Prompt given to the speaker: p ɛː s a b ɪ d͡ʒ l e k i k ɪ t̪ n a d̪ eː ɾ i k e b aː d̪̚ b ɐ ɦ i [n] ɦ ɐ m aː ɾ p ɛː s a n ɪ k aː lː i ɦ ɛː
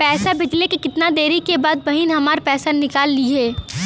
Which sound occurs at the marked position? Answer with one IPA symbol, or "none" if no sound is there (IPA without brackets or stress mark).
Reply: n